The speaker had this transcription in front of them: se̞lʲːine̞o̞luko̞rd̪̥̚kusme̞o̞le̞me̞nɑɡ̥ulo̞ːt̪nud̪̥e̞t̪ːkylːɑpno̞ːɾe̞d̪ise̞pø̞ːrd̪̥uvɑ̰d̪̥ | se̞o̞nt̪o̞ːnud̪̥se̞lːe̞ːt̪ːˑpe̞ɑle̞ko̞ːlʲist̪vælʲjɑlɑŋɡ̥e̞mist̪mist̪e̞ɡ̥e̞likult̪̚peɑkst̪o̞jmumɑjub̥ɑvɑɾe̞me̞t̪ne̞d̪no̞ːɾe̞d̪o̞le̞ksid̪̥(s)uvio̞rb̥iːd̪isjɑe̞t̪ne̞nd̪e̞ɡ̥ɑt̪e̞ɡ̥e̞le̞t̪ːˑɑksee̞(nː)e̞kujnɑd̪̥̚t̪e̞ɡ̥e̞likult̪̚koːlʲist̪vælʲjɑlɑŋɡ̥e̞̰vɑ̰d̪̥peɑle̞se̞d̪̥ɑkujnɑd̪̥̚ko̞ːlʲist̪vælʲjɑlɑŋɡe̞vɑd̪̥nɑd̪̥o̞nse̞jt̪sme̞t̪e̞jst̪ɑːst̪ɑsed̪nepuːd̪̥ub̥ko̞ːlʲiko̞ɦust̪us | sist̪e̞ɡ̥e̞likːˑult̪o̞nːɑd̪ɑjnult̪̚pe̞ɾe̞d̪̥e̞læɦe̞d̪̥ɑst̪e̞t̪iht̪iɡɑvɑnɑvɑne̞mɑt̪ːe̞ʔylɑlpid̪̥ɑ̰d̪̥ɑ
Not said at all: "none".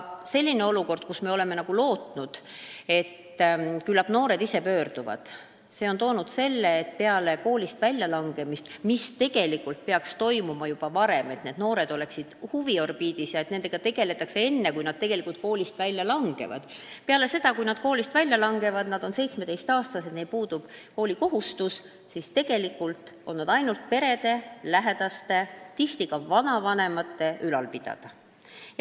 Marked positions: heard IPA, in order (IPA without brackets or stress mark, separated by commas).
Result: h, nː